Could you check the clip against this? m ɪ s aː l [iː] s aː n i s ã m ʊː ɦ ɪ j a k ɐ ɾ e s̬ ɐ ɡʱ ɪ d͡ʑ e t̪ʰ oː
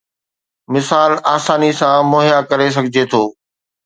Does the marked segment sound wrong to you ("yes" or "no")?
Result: yes